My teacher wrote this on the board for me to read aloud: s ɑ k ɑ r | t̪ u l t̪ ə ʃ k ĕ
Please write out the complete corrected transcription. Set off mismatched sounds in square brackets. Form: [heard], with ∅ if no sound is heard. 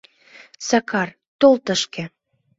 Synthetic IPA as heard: s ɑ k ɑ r | t̪ [o] l t̪ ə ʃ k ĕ